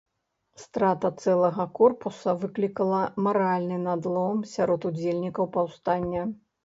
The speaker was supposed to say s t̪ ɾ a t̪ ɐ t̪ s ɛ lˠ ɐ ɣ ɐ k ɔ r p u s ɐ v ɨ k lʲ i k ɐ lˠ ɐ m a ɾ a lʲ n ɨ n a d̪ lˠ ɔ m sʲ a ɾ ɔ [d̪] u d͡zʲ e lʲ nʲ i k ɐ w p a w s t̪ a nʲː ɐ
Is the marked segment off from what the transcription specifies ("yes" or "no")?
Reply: yes